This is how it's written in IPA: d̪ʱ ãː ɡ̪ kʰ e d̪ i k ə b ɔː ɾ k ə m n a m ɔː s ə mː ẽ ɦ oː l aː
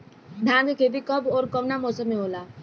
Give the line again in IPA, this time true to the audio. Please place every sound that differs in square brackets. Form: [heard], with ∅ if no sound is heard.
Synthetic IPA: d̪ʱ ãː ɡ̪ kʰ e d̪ i k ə b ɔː ɾ k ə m n a m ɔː s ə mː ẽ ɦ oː l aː

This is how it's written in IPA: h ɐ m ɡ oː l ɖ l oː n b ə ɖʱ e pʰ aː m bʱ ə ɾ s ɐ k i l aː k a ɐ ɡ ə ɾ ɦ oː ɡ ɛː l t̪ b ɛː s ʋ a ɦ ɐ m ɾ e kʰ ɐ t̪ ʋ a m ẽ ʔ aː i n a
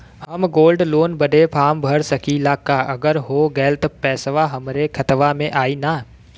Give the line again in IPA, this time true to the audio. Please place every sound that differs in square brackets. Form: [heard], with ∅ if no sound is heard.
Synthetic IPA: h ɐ m ɡ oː l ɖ l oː n b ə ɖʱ e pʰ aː m bʱ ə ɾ s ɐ k i l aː k a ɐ ɡ ə ɾ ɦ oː ɡ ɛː l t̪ [p] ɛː s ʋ a ɦ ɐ m ɾ e kʰ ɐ t̪ ʋ a m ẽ ʔ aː i n a

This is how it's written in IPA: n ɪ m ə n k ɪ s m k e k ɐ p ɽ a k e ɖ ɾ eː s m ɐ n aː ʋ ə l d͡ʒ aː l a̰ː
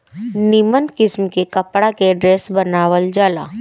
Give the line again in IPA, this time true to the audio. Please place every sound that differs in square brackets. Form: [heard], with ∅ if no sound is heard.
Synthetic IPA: n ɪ m ə n k ɪ s m k e k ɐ p ɽ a k e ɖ ɾ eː s [b] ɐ n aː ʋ ə l d͡ʒ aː l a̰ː

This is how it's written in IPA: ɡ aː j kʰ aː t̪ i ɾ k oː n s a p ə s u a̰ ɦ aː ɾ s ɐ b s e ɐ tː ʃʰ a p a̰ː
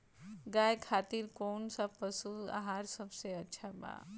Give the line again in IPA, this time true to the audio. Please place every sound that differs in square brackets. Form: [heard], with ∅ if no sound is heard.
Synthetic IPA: ɡ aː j kʰ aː t̪ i ɾ k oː n s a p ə s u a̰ ɦ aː ɾ s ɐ b s e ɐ tː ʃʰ a [b] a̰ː

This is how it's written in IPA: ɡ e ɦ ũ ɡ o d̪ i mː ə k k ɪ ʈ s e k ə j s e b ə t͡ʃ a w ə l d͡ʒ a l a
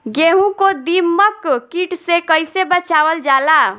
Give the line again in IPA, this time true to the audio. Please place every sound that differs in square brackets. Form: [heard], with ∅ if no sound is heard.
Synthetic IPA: ɡ e ɦ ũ [k] o d̪ i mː ə k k [i] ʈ s e k ə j s e b ə t͡ʃ a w ə l d͡ʒ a l a

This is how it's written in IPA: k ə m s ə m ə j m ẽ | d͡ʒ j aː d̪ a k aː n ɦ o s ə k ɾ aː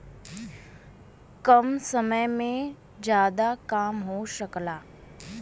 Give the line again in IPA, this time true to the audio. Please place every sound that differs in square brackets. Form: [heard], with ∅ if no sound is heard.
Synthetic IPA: k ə m s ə m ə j m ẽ | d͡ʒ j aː d̪ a k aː [m] ɦ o [ʃ] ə k [l] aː

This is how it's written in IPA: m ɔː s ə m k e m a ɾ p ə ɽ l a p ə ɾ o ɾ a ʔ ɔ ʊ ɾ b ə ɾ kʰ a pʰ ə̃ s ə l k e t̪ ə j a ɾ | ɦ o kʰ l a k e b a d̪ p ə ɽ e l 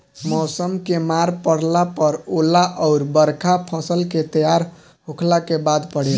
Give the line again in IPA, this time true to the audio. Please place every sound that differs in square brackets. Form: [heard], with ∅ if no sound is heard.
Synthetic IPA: m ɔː s ə m k e m a ɾ p ə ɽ l a p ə ɾ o [l] a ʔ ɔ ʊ ɾ b ə ɾ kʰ a pʰ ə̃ s ə l k e t̪ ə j a ɾ | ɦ o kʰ l a k e b a d̪ p ə ɽ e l

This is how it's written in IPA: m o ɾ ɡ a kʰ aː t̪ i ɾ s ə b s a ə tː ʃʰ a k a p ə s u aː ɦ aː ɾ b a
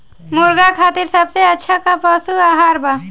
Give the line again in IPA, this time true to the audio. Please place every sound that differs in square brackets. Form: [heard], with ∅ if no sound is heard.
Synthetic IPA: m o ɾ ɡ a kʰ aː t̪ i ɾ s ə b s [e] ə tː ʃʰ a k a p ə s u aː ɦ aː ɾ b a

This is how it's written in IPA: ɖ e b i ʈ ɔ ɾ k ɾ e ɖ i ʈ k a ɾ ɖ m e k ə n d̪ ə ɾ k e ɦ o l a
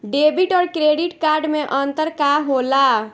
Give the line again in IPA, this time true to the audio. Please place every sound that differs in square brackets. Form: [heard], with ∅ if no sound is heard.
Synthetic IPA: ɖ e b i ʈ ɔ ɾ k ɾ e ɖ i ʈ k a ɾ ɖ m e [ʔ] ə n [t̪] ə ɾ k [a] ɦ o l a

